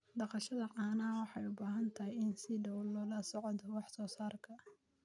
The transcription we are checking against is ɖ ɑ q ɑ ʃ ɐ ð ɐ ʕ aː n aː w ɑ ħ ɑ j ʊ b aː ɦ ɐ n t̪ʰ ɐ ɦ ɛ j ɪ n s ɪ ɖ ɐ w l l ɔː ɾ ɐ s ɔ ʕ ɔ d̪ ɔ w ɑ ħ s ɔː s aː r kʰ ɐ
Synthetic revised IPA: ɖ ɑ q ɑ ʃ ɐ ð ɐ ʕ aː n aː w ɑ ħ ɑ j ʊ b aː ɦ ɐ n t̪ʰ ɐ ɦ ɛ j ɪ n s ɪ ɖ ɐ w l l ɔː l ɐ s ɔ ʕ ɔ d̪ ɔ w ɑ ħ s ɔː s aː r kʰ ɐ

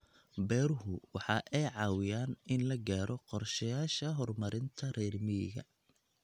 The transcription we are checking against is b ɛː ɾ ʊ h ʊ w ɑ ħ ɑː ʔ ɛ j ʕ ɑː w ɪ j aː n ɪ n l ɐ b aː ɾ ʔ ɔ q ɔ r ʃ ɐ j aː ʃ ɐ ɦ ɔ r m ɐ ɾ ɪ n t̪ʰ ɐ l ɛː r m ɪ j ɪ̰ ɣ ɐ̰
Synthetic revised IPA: b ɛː ɾ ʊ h ʊ w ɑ ħ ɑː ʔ ɛ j ʕ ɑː w ɪ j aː n ɪ n l ɐ ɡ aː ɾ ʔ ɔ q ɔ r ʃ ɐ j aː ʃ ɐ ɦ ɔ r m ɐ ɾ ɪ n t̪ʰ ɐ r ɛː r m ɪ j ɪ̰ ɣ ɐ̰

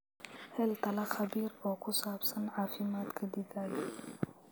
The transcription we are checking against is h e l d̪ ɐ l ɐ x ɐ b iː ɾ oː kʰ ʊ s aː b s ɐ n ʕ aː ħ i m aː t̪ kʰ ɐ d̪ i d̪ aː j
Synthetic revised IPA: h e l t̪ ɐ l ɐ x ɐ b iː ɾ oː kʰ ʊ s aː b s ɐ n ʕ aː f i m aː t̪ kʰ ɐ d̪ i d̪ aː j

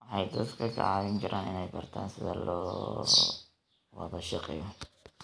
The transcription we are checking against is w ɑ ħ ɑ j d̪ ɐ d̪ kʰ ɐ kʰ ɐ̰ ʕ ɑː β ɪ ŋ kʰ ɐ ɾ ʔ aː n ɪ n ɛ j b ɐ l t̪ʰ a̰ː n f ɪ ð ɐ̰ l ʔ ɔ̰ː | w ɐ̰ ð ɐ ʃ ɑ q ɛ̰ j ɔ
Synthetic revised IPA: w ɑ ħ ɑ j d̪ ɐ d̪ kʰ ɐ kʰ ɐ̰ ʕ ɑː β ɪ ŋ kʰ ɐ ɾ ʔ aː n ɪ n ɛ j b ɐ r t̪ʰ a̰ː n s ɪ ð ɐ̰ l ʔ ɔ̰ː | w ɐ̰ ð ɐ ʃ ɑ q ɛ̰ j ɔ

